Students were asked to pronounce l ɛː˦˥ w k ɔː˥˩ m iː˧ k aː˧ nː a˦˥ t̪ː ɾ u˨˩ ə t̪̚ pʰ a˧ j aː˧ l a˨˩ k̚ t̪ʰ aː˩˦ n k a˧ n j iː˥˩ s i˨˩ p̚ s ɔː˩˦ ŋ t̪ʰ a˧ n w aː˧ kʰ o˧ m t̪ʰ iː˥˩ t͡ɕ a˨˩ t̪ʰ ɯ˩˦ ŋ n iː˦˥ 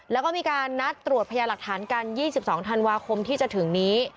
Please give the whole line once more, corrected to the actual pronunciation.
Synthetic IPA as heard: l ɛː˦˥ w k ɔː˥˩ m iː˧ k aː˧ nː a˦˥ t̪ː ɾ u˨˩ ə t̪̚ pʰ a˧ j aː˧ l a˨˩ k̚ t̪ʰ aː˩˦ n k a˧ n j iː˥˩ s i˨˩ p̚ s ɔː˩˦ ŋ t̪ʰ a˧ n w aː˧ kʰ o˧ m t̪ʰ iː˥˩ t͡ɕ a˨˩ t̪ʰ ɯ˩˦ ŋ n iː˦˥